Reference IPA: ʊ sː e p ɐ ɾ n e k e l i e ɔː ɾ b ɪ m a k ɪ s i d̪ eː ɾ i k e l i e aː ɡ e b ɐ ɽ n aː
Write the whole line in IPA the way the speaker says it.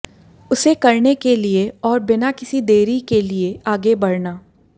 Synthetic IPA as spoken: ʊ s e k ɐ ɾ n e k e l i e ɔː ɾ b ɪ n a k ɪ s i d̪ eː ɾ i k e l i e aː ɡ e b ɐ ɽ n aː